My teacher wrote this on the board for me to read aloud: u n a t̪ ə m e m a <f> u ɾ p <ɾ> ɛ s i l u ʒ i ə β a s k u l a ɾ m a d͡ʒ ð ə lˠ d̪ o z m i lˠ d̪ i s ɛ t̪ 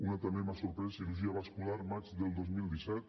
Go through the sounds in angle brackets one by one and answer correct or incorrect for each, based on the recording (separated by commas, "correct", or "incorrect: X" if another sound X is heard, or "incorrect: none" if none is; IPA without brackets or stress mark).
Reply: incorrect: s, correct